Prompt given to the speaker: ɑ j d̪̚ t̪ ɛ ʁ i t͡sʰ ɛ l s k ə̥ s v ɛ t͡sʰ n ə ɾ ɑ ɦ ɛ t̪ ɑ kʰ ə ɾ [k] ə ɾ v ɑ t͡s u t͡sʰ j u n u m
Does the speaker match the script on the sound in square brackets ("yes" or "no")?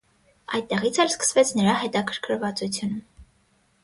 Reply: no